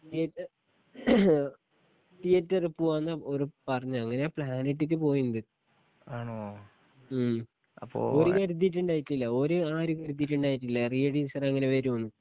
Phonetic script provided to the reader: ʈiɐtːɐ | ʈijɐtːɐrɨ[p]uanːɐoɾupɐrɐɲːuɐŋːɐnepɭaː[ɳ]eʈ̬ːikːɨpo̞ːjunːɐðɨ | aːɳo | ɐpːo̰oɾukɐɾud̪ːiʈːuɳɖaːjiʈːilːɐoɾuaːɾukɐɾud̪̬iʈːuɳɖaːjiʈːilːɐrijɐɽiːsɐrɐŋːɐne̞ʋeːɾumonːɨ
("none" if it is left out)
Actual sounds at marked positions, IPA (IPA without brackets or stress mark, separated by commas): p, n